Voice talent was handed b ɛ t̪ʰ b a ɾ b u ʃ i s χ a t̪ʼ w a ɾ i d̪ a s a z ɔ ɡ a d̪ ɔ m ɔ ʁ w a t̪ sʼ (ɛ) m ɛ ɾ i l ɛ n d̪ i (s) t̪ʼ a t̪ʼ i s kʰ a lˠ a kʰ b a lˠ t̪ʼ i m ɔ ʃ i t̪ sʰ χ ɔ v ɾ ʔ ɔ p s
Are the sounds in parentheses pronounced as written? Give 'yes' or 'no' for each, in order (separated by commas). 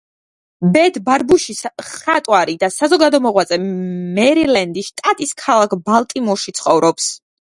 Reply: yes, no